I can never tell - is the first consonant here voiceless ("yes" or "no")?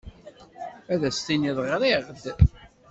no